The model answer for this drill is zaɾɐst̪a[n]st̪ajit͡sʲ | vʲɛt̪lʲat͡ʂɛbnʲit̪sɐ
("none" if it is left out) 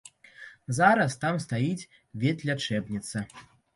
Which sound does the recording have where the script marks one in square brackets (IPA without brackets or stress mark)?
m